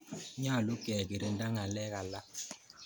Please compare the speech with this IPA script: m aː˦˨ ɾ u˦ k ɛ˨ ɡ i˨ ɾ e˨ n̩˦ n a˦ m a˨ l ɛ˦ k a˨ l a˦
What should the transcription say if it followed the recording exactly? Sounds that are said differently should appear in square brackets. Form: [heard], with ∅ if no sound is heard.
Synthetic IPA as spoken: [ɲ] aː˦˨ [l] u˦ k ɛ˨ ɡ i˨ ɾ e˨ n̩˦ [d] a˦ [ŋ] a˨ l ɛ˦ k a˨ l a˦